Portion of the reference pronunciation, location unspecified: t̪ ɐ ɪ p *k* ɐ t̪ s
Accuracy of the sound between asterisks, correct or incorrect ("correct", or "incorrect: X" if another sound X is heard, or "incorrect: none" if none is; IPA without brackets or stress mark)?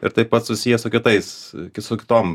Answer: incorrect: p